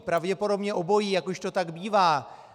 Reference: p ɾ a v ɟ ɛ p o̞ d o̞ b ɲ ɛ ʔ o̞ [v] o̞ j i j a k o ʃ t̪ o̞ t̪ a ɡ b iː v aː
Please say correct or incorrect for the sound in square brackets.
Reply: incorrect